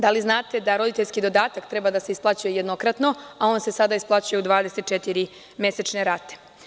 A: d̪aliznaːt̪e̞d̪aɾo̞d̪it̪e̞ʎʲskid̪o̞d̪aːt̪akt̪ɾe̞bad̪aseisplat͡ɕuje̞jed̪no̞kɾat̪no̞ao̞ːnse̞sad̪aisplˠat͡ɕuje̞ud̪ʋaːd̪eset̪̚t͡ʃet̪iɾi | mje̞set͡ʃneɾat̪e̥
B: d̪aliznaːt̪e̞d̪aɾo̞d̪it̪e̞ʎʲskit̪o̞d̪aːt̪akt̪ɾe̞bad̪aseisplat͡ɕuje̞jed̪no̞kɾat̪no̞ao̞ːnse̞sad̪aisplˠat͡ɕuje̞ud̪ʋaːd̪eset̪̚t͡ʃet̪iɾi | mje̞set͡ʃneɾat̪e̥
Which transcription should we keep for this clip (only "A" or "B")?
A